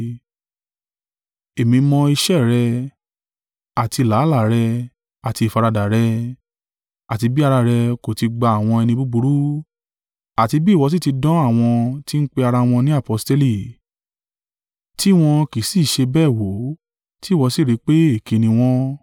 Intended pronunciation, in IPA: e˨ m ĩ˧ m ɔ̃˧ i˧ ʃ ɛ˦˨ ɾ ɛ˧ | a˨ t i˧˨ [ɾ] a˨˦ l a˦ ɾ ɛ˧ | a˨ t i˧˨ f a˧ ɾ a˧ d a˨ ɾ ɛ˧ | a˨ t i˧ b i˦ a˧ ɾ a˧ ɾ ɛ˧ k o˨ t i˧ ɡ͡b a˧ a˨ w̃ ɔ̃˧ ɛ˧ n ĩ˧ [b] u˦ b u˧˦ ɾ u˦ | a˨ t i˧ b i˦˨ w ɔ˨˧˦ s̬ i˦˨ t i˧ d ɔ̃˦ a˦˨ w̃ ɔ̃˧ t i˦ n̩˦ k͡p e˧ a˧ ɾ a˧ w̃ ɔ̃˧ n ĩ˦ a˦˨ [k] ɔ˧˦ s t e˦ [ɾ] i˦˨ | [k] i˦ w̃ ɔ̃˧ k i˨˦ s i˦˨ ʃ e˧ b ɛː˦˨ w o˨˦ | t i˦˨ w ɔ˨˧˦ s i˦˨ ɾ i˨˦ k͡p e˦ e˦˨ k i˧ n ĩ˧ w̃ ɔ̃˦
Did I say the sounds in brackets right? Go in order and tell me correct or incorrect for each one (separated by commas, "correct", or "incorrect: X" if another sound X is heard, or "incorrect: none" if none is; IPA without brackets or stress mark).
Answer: incorrect: l, correct, incorrect: p, incorrect: l, incorrect: t